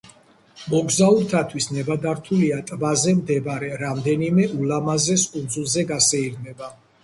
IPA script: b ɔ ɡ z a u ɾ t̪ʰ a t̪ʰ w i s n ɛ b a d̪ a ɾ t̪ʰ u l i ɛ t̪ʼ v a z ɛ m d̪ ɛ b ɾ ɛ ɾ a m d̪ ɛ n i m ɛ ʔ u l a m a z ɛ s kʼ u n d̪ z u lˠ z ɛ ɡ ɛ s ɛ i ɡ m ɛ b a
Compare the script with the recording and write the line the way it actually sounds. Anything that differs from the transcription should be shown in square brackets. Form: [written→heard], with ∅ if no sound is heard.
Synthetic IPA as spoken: [b→m] ɔ ɡ z a u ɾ t̪ʰ a t̪ʰ w i s n ɛ b a d̪ a ɾ t̪ʰ u l i [ɛ→a] t̪ʼ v a z ɛ m d̪ ɛ b ɾ ɛ ɾ a m d̪ ɛ n i m ɛ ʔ u l a m a z ɛ s kʼ u n d̪ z u lˠ z ɛ ɡ [ɛ→a] s ɛ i ɡ m ɛ b a